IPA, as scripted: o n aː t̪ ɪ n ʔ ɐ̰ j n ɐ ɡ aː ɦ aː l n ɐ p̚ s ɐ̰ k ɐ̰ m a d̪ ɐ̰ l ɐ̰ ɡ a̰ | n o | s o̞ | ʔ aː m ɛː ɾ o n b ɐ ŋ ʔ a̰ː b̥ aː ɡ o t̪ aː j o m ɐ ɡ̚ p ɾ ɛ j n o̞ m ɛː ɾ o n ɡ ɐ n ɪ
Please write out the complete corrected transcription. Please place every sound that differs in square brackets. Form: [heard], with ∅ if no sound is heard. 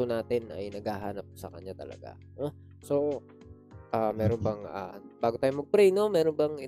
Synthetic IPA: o n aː t̪ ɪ n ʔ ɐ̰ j n ɐ ɡ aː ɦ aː [∅] n ɐ p̚ s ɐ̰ k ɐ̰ [ɲ] a [t̪] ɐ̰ l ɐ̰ ɡ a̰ | n o | s o̞ | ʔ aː m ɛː ɾ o n b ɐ ŋ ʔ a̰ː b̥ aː ɡ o t̪ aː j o m ɐ ɡ̚ p ɾ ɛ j n o̞ m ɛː ɾ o n [b] ɐ [ŋ] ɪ